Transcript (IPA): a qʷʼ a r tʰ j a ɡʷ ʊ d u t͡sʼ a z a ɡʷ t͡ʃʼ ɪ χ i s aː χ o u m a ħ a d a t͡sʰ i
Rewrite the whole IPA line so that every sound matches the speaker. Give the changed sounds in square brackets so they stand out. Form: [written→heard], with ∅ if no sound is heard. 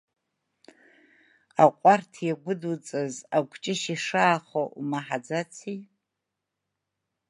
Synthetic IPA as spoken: a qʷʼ a r tʰ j a ɡʷ ʊ d u t͡sʼ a z a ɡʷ t͡ʃʼ ɪ [χ→ʃ] i [s→ʂ] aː χ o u m a ħ a [d→d͡z] a t͡sʰ i